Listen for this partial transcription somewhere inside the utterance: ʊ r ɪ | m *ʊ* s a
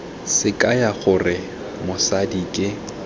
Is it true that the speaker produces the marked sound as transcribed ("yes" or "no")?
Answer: yes